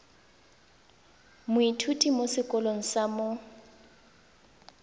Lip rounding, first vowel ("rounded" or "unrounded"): rounded